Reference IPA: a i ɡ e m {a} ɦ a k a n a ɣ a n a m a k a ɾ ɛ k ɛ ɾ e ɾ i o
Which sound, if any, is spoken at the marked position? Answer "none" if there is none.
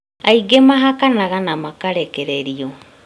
a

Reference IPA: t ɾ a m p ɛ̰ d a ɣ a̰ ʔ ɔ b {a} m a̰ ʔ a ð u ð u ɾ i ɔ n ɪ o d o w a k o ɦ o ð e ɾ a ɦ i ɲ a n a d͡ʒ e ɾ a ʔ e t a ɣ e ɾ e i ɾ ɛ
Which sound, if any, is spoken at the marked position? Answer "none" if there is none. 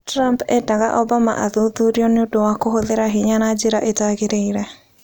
a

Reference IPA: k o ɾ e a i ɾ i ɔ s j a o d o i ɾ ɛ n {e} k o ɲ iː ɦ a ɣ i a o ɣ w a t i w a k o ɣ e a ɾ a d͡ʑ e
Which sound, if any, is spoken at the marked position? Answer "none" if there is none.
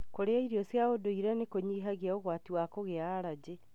e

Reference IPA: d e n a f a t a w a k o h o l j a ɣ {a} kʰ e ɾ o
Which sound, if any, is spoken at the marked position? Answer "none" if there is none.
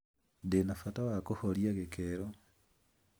e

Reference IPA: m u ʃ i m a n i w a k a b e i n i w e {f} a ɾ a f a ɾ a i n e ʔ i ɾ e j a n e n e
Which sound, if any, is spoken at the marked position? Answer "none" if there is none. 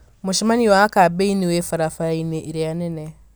f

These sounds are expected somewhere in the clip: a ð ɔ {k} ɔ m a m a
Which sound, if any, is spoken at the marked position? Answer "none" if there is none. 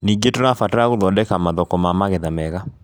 k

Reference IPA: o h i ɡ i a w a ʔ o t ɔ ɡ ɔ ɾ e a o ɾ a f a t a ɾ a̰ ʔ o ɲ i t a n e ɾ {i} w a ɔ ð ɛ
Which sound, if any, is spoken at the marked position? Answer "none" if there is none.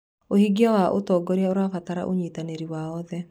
i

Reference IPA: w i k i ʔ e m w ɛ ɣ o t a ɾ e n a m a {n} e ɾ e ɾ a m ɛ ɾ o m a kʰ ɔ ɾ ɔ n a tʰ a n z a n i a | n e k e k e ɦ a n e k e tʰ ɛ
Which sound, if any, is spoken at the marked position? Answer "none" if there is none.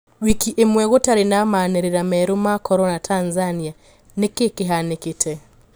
n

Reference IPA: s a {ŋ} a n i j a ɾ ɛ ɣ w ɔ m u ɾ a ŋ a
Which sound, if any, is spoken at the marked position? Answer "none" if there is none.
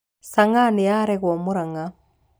ŋ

